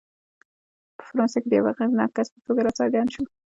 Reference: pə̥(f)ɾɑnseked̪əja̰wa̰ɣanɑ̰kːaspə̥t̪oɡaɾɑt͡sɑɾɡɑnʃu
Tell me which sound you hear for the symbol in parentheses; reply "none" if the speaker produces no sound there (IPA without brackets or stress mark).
f